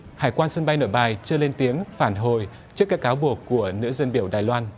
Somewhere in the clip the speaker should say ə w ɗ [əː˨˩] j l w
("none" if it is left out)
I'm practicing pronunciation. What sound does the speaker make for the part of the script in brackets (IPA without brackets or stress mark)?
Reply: aː˨˩